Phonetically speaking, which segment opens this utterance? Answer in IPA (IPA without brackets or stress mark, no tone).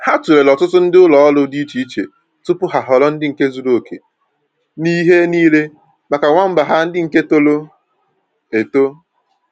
h